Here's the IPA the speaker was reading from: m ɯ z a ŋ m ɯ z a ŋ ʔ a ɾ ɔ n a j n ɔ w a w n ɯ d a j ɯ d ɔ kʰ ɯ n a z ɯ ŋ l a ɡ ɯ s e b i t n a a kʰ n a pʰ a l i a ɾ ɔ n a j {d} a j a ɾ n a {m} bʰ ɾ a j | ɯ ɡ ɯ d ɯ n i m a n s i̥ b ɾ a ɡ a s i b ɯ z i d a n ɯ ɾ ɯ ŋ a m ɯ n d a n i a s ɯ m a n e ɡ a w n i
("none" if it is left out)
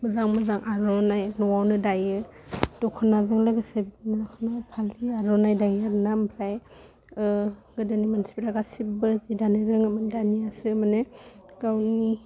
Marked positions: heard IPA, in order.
d, m

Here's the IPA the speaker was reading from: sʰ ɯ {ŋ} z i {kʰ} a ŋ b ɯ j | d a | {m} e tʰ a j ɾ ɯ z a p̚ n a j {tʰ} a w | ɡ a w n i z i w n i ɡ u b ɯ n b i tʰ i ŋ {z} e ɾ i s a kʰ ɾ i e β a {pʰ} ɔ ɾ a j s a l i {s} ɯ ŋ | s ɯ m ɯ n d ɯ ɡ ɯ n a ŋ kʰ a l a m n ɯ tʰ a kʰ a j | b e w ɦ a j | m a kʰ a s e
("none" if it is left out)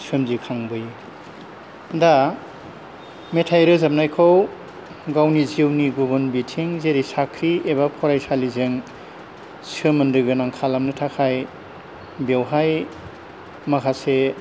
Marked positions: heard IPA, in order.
m, kʰ, m, kʰ, z, pʰ, z

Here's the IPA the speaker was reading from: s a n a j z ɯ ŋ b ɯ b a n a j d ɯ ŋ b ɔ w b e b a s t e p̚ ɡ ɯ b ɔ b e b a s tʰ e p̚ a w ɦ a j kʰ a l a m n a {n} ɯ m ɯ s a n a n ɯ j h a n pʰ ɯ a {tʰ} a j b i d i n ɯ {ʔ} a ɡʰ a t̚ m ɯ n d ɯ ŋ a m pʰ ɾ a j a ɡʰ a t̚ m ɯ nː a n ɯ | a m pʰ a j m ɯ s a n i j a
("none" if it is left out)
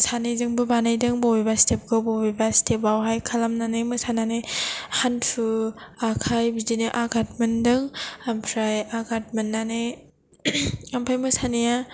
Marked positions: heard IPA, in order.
n, kʰ, ʔ

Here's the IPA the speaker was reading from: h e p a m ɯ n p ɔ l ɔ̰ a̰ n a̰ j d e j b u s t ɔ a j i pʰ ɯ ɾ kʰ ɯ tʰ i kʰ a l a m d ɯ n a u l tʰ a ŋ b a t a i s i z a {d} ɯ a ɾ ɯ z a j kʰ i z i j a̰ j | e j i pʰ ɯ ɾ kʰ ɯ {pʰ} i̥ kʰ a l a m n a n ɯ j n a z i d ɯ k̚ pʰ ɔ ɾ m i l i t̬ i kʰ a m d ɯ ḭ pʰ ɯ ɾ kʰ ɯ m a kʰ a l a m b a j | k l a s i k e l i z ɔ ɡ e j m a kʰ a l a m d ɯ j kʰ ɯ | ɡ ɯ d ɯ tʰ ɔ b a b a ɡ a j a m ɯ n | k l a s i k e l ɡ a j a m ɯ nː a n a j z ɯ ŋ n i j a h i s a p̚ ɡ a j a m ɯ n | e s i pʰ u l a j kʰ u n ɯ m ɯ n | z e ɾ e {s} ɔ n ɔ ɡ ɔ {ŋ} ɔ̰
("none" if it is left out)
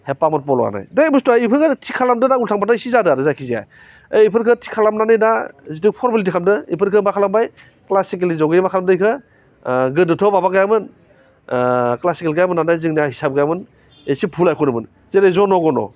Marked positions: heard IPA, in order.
d, tʰ, z, n

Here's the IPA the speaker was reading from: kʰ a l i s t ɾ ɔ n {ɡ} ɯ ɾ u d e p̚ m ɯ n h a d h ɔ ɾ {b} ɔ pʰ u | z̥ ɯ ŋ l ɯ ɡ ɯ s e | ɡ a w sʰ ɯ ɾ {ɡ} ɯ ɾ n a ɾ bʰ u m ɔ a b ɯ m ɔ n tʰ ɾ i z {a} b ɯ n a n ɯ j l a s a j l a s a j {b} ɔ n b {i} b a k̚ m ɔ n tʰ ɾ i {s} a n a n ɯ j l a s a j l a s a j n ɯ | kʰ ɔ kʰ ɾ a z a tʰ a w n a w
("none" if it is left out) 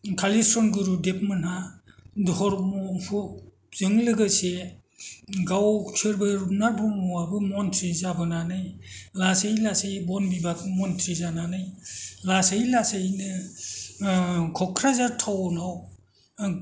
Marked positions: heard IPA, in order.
ɡ, m, b, a, b, i, z

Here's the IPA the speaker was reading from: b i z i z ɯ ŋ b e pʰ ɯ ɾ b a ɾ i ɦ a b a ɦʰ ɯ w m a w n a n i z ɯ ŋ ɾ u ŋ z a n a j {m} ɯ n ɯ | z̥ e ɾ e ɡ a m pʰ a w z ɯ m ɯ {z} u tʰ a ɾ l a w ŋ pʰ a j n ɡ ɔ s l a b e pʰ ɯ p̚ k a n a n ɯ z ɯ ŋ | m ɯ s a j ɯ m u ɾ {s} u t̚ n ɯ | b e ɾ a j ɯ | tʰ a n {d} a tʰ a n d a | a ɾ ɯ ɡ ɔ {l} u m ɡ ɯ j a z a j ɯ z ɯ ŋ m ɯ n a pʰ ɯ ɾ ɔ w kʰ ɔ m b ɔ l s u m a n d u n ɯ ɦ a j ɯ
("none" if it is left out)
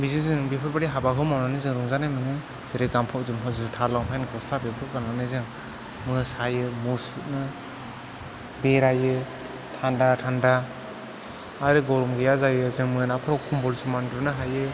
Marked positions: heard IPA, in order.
m, z, s, d, ɾ

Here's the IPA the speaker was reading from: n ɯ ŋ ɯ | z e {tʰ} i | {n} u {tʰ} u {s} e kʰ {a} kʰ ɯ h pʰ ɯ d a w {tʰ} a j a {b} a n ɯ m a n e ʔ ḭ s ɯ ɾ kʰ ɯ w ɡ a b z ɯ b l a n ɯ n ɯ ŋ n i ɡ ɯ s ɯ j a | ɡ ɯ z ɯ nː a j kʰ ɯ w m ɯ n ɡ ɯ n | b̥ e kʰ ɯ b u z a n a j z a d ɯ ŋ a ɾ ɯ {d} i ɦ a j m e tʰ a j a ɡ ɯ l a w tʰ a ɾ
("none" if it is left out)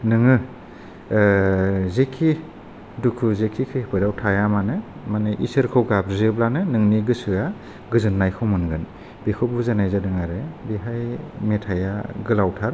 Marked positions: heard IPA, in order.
kʰ, d, kʰ, z, i, tʰ, m, b

